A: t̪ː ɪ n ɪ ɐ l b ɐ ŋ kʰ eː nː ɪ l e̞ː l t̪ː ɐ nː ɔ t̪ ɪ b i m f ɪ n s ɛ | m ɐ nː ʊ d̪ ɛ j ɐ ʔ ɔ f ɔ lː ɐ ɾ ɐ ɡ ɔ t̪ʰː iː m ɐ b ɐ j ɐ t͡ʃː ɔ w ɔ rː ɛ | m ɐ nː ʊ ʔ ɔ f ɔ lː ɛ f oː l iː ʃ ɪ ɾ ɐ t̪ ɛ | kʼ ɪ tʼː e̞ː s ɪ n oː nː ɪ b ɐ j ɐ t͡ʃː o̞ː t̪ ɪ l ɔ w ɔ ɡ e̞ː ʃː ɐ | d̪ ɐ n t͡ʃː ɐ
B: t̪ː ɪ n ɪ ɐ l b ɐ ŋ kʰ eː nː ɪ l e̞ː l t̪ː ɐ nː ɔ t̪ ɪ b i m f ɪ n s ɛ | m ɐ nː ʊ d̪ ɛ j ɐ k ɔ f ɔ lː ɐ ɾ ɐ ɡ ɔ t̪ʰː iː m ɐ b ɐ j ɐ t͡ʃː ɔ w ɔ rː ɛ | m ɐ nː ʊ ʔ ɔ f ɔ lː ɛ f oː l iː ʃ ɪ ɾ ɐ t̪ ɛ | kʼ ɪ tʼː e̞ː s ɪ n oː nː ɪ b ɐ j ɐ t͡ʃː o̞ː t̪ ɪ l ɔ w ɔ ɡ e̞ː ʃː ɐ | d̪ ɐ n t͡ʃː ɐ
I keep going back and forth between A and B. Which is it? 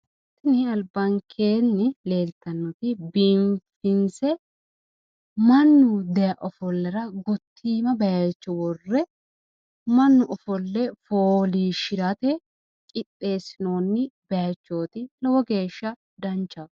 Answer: A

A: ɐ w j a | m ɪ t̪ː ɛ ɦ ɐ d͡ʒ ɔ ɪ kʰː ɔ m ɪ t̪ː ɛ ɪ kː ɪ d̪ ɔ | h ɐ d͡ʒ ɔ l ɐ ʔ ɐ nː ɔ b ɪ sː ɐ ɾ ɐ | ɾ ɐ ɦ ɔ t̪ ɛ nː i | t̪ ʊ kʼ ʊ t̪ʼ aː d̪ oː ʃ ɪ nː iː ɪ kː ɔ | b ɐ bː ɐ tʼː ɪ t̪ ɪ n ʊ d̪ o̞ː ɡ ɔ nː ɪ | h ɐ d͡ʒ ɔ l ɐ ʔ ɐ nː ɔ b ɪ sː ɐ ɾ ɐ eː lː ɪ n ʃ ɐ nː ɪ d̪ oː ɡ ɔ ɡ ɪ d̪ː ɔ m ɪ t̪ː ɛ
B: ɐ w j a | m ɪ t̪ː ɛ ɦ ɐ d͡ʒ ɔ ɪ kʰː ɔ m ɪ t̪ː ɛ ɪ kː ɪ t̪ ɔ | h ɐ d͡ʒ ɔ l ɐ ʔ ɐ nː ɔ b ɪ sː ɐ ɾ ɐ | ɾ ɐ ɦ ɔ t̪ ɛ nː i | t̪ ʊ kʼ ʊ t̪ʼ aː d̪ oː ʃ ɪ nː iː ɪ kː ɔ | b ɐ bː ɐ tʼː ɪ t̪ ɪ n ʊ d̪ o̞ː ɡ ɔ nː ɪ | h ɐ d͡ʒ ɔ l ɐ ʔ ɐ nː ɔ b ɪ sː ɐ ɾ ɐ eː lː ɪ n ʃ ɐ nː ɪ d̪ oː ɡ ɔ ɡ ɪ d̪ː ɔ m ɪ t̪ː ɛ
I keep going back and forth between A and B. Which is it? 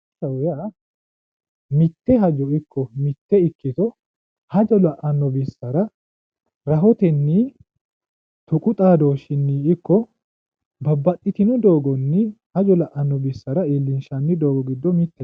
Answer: B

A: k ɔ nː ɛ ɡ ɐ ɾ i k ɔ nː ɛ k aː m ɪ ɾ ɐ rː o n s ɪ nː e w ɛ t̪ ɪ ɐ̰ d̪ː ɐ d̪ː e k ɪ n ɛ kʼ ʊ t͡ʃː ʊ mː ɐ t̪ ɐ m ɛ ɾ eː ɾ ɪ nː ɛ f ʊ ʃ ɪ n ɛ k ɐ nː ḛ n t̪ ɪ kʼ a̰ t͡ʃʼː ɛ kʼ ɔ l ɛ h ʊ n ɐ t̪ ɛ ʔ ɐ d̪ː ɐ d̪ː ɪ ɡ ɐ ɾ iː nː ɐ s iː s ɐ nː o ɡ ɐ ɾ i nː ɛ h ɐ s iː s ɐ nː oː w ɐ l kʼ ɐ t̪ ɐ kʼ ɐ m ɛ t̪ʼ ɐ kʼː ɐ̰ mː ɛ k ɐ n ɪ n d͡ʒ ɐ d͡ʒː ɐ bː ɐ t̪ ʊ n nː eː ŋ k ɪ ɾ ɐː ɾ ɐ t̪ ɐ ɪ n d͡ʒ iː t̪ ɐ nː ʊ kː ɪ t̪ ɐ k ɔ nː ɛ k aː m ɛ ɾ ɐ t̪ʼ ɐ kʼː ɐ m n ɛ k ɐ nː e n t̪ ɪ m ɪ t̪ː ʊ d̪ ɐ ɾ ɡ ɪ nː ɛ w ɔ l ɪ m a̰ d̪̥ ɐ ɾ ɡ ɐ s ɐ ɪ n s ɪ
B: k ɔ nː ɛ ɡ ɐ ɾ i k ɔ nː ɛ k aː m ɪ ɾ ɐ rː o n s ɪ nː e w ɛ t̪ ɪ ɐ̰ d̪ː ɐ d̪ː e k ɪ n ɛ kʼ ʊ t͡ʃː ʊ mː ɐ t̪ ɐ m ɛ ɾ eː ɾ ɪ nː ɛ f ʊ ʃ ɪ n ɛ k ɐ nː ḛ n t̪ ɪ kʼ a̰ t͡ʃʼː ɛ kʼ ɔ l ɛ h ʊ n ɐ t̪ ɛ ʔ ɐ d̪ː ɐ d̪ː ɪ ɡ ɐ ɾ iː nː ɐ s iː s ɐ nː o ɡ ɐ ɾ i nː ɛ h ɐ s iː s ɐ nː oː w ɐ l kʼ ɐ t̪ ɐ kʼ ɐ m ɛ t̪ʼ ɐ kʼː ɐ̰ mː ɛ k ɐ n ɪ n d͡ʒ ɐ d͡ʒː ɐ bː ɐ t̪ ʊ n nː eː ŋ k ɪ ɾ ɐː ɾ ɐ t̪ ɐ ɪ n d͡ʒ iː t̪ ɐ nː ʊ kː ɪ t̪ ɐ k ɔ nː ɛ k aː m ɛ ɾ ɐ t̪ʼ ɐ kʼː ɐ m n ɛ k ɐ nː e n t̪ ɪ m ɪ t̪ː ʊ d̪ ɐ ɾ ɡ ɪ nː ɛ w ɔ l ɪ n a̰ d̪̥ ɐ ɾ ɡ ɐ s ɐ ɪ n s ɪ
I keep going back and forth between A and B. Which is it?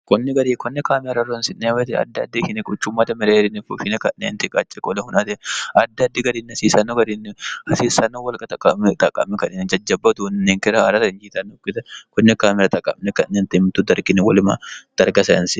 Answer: A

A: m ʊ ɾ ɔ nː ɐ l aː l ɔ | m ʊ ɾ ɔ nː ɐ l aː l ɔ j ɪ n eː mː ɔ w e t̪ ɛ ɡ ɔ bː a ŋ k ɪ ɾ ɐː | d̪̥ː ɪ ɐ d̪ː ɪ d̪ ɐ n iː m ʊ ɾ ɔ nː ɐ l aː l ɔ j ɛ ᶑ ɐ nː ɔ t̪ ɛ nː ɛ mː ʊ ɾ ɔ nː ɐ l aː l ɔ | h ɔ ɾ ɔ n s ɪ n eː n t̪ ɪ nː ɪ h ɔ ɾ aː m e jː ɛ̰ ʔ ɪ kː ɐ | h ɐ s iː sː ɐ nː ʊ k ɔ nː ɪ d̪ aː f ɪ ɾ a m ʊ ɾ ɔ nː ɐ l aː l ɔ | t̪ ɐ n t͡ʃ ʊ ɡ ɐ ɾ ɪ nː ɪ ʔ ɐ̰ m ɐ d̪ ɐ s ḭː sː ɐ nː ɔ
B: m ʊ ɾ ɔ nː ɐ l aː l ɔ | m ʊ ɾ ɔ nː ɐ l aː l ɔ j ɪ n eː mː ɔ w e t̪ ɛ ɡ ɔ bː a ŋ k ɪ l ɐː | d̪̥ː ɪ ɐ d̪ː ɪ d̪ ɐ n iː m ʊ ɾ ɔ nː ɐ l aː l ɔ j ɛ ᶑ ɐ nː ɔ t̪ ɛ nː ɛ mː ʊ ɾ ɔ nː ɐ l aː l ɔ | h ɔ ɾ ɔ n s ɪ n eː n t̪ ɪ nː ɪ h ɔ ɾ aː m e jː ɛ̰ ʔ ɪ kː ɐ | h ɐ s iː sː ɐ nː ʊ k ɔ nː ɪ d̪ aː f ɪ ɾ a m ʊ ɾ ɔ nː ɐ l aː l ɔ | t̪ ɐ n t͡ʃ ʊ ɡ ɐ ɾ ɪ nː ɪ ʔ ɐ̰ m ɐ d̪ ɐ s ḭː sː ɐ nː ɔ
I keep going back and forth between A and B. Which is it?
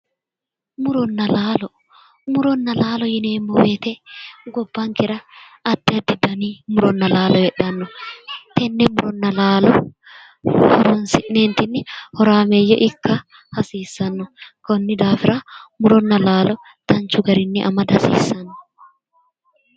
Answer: A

